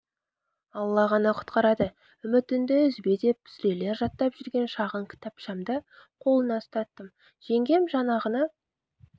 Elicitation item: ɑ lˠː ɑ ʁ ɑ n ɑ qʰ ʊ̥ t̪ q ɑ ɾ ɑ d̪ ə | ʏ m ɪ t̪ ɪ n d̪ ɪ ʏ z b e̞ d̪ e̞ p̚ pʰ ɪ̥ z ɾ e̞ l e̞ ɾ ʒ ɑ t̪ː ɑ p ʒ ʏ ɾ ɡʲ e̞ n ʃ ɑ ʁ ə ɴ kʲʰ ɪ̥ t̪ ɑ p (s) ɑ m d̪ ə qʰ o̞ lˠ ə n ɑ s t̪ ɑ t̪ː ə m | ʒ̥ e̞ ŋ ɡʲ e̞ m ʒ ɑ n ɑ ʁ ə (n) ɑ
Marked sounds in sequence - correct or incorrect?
incorrect: ʃ, correct

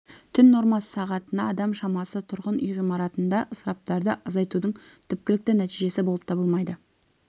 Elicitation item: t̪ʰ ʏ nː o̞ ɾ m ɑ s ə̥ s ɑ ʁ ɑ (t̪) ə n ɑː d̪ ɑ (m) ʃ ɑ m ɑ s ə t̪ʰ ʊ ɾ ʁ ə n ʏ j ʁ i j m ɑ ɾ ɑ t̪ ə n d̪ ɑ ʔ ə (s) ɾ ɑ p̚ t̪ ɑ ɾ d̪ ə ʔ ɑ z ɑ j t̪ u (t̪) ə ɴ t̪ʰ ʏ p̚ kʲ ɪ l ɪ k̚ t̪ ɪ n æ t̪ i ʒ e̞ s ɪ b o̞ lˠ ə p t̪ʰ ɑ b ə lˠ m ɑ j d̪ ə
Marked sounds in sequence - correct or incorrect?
correct, correct, correct, incorrect: d̪

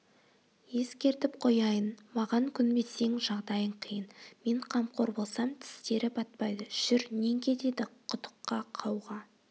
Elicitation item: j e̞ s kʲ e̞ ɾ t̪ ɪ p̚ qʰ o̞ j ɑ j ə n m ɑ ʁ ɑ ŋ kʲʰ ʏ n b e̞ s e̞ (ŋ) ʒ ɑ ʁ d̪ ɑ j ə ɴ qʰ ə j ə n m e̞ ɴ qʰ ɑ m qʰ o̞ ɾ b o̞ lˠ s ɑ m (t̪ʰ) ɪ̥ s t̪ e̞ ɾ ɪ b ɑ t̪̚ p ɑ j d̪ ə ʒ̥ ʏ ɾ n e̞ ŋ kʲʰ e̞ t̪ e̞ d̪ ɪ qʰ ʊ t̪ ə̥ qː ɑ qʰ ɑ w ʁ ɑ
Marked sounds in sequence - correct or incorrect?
correct, correct

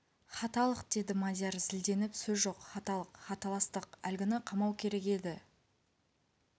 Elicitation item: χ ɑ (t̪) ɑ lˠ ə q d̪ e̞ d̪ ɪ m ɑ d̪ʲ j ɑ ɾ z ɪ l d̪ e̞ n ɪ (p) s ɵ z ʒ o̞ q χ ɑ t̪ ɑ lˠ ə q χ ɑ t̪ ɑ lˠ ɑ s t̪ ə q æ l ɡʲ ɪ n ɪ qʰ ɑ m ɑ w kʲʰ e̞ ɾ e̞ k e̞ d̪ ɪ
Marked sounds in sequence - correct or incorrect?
correct, correct

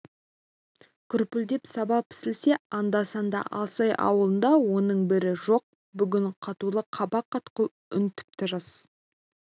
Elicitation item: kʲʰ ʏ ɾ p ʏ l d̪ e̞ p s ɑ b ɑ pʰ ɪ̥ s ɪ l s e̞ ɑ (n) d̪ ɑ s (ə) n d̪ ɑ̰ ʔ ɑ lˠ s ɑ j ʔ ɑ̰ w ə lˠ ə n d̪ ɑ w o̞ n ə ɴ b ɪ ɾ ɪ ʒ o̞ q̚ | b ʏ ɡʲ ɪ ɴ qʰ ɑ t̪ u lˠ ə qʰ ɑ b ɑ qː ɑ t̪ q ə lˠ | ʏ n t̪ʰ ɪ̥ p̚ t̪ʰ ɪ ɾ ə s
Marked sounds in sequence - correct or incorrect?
correct, incorrect: ɑ

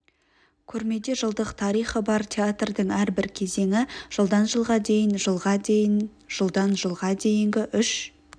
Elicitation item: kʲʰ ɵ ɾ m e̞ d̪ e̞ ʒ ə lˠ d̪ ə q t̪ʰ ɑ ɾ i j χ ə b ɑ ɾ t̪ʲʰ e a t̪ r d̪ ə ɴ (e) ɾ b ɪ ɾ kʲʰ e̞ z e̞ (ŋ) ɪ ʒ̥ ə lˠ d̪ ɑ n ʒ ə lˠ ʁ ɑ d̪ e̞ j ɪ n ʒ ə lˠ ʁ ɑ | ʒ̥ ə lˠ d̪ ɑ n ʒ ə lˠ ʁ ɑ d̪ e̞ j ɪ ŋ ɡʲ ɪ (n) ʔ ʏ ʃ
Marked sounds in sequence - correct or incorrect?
incorrect: æ, correct, incorrect: none

